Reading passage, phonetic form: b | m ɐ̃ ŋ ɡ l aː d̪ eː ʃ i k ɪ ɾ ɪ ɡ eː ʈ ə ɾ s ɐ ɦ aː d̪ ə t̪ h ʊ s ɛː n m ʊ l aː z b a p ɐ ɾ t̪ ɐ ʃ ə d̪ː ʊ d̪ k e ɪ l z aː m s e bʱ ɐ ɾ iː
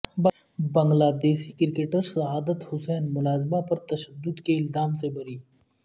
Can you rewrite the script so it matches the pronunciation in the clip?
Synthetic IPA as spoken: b | b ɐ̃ ŋ ɡ l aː d̪ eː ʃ i k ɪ ɾ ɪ k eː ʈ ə ɾ s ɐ ɦ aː d̪ ə t̪ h ʊ s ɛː n m ʊ l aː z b a p ɐ ɾ t̪ ɐ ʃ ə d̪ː ʊ d̪ k e ɪ l z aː m s e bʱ ɐ ɾ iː